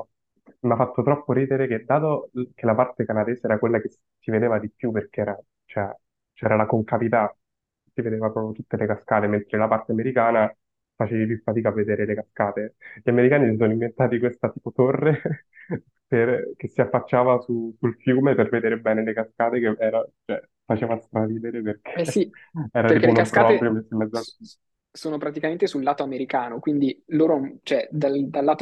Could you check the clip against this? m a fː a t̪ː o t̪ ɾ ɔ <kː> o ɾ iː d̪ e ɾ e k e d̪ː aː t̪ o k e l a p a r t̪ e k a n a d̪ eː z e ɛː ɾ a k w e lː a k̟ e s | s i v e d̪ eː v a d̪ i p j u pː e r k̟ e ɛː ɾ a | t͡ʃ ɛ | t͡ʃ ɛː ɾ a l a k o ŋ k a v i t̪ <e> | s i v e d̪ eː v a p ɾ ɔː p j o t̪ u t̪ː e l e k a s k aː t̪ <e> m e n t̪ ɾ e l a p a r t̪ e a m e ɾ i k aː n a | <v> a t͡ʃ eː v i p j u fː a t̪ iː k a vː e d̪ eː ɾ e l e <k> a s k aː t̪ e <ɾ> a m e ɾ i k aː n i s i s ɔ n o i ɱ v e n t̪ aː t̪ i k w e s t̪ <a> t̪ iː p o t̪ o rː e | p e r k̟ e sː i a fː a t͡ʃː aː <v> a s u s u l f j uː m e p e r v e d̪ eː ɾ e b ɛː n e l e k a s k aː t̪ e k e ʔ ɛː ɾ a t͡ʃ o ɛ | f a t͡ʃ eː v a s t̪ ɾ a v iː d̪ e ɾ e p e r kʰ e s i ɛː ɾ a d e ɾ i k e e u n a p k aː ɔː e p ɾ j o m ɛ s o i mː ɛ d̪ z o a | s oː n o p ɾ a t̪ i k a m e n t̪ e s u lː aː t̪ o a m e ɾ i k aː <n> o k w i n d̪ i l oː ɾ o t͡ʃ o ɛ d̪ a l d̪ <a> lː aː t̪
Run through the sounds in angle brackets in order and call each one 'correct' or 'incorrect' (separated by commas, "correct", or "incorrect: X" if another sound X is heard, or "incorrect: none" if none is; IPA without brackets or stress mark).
incorrect: pː, incorrect: a, correct, incorrect: f, correct, incorrect: ʎ, correct, correct, correct, correct